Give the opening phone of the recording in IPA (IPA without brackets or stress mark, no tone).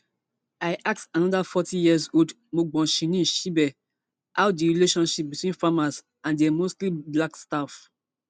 a